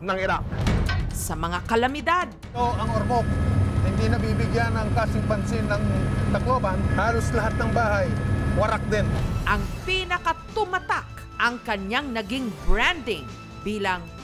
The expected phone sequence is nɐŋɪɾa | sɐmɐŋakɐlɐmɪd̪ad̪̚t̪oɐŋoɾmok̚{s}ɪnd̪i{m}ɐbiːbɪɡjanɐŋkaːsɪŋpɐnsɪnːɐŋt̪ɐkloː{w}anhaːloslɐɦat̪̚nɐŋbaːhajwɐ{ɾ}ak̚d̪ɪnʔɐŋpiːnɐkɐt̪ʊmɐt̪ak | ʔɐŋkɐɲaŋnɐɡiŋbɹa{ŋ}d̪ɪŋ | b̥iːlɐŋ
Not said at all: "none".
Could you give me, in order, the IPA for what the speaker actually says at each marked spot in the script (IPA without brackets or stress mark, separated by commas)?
h, n, b, ɾ, n